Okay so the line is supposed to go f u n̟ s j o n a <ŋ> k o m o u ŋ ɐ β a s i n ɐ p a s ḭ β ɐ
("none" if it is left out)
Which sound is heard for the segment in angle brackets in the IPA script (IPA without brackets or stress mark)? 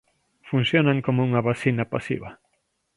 ŋ